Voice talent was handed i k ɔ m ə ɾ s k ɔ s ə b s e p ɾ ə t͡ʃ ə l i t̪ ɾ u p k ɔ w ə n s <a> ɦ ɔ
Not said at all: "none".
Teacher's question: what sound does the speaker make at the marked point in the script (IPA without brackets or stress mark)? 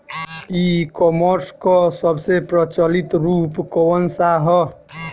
a